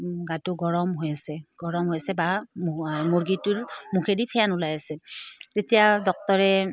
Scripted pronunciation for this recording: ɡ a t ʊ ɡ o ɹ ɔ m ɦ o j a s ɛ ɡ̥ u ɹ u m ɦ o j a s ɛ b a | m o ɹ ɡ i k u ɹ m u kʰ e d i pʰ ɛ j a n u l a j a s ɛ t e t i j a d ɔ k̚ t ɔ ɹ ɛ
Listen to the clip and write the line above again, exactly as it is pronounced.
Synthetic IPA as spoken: ɡ a t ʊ ɡ ɔ ɹ ɔ m ɦ o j a s ɛ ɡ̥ ɔ ɹ ɔ m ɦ o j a s ɛ b a | m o ɹ ɡ i t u ɹ m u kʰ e d i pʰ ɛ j a n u l a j a s ɛ t e t i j a d ɔ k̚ t ɔ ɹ ɛ